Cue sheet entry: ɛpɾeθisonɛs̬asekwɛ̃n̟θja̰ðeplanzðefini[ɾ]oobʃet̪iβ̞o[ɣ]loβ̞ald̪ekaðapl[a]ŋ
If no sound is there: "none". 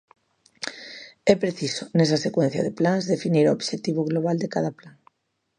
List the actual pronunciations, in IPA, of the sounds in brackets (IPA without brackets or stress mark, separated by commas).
ɾ, ɣ, a